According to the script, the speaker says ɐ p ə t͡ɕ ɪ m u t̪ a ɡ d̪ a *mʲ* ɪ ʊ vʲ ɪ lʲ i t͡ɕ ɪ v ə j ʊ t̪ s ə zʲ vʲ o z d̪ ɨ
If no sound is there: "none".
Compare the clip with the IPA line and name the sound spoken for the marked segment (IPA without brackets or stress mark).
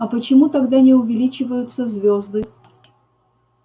nʲ